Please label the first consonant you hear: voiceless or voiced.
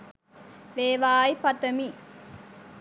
voiced